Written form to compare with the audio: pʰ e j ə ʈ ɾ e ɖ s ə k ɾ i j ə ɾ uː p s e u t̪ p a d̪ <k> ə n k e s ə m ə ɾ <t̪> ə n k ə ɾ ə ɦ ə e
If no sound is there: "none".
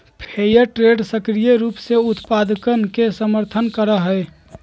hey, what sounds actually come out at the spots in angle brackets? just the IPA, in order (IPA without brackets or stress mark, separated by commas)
k, t̪ʰ